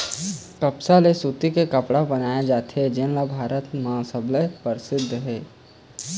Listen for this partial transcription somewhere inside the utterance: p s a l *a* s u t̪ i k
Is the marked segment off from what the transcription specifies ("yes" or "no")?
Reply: yes